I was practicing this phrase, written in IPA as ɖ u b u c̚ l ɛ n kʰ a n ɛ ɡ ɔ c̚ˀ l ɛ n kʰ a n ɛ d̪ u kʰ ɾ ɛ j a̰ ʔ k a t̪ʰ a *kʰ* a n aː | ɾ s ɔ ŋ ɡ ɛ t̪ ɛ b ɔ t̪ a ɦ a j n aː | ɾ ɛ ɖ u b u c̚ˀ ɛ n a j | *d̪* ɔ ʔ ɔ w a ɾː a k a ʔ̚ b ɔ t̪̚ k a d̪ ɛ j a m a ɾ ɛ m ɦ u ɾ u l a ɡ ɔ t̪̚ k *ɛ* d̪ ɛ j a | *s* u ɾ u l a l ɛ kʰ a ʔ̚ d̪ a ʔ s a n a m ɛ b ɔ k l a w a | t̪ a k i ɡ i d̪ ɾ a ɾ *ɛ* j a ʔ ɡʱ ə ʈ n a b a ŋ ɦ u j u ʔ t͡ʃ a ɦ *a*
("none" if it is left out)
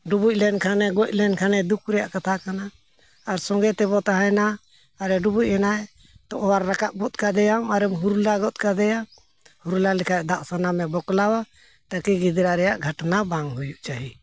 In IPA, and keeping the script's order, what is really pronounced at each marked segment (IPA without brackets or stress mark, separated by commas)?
k, t̪, a, h, ɛ, i